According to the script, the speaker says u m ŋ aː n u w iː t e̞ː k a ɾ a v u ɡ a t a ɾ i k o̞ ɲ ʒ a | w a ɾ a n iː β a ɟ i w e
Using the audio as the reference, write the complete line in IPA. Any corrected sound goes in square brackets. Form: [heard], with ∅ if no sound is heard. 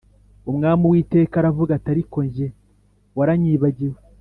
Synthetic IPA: u m ŋ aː [m] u w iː t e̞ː k a ɾ a v u ɡ a t a ɾ i k o̞ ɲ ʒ [e] | w a ɾ a [ɲ] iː β a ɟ i w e